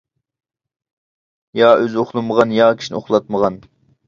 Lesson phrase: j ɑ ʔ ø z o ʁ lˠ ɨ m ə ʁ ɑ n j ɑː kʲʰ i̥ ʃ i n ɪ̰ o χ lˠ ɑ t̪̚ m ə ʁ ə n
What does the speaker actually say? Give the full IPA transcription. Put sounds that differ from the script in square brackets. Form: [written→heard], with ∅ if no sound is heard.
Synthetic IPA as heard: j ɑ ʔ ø z o [ʁ→χ] lˠ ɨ m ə ʁ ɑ n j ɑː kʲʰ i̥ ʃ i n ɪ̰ o χ lˠ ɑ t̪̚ m ə ʁ [ə→ɑ] n